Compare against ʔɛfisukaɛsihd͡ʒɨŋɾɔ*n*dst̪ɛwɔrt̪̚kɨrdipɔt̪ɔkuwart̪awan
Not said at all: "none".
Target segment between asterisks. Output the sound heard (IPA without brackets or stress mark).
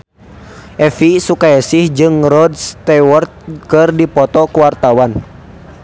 none